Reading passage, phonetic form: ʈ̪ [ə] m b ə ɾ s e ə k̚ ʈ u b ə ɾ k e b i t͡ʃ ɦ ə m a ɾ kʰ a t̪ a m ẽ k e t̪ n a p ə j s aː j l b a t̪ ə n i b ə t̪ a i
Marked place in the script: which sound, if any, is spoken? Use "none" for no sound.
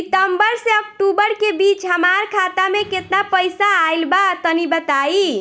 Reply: ə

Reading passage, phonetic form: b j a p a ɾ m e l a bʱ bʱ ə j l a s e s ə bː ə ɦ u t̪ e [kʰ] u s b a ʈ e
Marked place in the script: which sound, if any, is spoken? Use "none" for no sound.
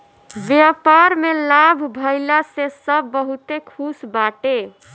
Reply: kʰ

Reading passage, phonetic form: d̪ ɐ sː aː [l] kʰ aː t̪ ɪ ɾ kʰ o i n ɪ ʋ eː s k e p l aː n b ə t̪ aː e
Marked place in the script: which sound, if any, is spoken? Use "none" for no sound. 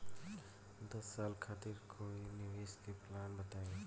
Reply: l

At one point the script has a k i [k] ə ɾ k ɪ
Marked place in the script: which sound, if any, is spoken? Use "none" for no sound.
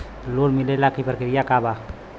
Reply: p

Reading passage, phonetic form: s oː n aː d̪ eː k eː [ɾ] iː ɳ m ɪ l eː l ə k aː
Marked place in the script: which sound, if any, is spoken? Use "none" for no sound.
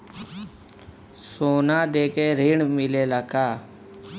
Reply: ɾ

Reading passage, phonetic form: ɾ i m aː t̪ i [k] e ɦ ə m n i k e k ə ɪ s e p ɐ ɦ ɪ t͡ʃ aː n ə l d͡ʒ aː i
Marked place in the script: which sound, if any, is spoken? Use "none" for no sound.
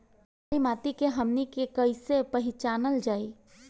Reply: k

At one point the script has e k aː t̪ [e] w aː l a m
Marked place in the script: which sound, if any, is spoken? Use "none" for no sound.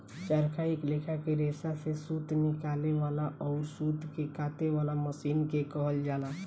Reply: e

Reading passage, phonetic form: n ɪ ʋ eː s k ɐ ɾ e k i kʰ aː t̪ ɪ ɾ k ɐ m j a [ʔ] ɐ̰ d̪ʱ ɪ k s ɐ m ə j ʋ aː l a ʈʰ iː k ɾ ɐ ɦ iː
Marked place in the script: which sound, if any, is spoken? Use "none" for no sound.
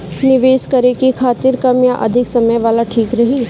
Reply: ʔ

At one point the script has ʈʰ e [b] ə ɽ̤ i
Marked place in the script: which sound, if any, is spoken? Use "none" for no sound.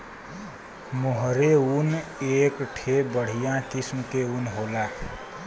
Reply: b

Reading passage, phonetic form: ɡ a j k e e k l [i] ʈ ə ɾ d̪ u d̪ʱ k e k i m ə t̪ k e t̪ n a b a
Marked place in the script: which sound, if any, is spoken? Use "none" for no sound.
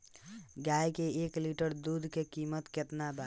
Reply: i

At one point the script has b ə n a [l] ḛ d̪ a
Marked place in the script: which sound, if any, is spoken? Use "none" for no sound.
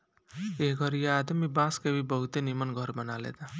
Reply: l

